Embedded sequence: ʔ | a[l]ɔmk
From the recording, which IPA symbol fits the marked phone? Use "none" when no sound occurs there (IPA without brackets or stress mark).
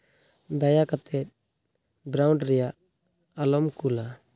l